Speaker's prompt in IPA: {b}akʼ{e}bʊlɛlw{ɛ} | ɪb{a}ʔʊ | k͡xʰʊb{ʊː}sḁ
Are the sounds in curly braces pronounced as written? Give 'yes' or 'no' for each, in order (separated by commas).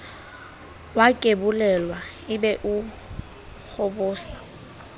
no, yes, no, no, yes